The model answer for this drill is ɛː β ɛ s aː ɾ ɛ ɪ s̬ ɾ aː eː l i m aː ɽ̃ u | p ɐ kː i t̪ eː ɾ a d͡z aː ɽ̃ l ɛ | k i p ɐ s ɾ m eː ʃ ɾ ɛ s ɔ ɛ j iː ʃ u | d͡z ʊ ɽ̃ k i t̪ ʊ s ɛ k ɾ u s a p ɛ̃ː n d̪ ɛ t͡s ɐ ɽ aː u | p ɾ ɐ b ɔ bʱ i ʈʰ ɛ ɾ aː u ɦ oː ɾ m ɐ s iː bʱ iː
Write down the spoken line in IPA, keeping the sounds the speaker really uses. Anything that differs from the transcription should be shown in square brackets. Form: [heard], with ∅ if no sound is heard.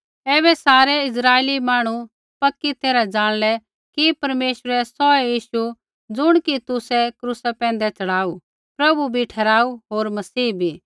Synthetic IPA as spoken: ɛː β ɛ s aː ɾ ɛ ɪ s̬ ɾ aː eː l i m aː ɽ̃ u | p ɐ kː i t̪ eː ɾ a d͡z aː ɽ̃ l ɛ | k i p ɐ [∅] ɾ m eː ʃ ɾ ɛ s ɔ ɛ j iː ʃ u | d͡z ʊ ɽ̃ k i t̪ ʊ s ɛ k ɾ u s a p ɛ̃ː n d̪ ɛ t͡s ɐ ɽ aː u | p ɾ ɐ b [u] bʱ i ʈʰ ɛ ɾ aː u ɦ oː ɾ m ɐ s iː bʱ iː